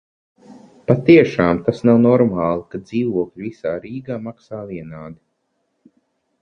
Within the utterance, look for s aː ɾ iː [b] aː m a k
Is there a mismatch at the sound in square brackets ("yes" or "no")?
yes